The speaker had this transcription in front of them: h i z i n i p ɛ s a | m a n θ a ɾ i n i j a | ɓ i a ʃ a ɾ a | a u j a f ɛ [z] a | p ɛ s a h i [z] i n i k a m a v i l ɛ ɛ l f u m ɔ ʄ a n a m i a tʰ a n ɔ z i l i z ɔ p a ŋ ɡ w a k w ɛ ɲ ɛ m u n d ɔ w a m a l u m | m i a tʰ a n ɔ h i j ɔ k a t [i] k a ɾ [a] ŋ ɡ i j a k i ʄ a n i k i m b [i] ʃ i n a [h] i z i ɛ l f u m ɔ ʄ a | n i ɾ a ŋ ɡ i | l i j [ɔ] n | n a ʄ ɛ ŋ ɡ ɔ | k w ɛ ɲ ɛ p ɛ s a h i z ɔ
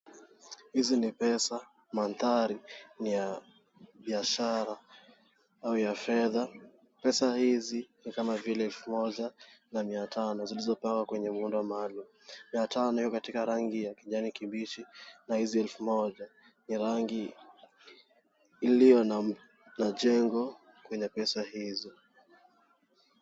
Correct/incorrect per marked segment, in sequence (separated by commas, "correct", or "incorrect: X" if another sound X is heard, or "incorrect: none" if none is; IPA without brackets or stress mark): incorrect: ð, correct, correct, correct, correct, correct, correct